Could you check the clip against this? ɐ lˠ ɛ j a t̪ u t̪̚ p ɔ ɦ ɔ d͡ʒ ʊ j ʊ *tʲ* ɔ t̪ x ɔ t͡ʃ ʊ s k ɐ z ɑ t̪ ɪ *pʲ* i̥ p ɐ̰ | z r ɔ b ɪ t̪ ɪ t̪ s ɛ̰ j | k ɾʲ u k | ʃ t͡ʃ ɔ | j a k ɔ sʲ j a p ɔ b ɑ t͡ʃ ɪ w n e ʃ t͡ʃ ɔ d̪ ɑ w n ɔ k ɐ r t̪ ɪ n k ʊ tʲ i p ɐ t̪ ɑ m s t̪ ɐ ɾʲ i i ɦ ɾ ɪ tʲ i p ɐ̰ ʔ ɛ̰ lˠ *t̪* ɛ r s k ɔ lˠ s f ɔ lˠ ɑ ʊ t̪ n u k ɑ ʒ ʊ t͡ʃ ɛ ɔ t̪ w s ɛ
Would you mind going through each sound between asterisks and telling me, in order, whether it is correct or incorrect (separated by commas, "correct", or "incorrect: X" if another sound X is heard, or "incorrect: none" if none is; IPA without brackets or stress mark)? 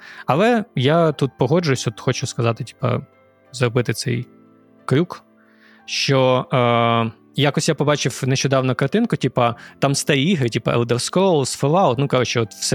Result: incorrect: sʲ, incorrect: tʲ, incorrect: d̪